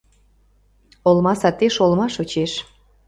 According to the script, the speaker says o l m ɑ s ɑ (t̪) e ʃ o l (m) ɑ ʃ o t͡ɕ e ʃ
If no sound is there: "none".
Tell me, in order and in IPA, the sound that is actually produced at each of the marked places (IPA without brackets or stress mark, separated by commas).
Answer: t̪, m